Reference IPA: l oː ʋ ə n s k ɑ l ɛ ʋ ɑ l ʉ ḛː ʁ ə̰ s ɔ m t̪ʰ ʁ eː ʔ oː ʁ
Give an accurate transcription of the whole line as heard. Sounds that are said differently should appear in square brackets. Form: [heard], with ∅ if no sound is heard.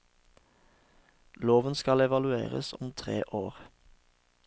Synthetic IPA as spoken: l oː ʋ ə n s k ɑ l ɛ ʋ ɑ l ʉ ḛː ʁ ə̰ s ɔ m t̪ʰ ʁ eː ʔ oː ʁ